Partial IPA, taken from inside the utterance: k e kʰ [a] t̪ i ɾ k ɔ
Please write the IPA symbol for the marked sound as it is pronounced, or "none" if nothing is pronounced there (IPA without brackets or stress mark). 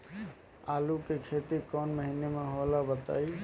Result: e